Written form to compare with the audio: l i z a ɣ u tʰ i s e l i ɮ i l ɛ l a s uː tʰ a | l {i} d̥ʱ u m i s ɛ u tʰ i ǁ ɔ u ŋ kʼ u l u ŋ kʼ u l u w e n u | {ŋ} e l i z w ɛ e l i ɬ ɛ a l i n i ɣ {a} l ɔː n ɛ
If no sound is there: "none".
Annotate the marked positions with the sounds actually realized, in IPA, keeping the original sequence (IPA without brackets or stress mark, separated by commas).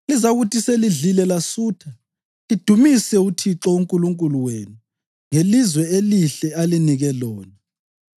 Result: i, ŋ, ɛ